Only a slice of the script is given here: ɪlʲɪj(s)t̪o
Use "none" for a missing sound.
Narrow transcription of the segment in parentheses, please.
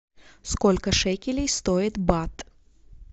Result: s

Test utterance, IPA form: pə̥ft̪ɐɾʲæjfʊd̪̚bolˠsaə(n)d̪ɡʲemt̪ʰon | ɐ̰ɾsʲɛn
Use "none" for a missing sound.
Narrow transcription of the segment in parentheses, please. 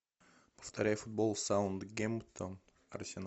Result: n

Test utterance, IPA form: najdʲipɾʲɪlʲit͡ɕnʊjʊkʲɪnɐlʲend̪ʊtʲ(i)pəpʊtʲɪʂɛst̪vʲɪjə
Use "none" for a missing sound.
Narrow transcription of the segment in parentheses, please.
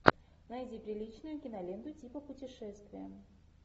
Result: i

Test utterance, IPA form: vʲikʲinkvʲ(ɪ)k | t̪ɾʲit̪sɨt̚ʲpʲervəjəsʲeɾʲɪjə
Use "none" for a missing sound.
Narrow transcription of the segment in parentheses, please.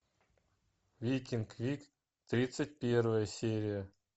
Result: i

